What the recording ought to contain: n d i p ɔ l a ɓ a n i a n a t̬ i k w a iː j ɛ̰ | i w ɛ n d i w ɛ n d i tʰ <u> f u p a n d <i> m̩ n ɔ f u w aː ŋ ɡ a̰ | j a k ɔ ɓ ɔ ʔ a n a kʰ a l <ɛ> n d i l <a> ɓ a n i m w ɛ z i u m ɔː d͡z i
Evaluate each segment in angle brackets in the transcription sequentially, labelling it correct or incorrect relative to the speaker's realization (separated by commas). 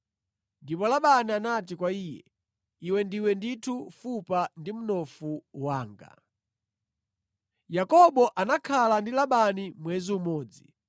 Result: correct, correct, incorrect, correct